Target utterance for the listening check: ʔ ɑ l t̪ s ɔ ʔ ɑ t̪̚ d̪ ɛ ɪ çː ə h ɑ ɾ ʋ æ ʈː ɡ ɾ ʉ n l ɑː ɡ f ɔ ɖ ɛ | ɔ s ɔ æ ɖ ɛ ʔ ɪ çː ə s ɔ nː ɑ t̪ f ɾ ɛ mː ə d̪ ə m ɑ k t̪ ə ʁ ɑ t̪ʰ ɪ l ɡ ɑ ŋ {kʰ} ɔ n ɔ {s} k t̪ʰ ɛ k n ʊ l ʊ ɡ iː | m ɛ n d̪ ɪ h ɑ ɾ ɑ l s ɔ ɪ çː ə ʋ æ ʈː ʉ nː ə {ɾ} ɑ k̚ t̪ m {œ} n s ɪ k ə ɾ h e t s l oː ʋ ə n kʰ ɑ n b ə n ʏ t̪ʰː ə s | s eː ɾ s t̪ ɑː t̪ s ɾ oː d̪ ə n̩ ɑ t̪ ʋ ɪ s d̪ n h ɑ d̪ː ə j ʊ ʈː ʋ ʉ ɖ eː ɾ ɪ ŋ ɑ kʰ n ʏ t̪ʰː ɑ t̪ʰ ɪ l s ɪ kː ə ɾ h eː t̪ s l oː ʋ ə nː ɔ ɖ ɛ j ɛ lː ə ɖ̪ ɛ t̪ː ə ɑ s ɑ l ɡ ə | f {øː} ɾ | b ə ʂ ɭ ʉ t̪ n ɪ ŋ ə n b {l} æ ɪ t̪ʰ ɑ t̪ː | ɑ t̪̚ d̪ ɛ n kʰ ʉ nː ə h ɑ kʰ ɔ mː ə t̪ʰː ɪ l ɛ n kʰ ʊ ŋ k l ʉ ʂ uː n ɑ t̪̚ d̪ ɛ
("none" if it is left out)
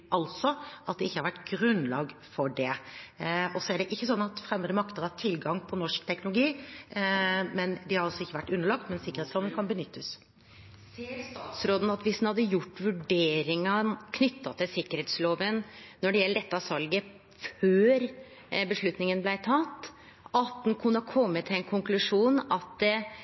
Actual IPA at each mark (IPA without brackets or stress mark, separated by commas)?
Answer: pʰ, ʂ, ɭ, ɛ, øː, l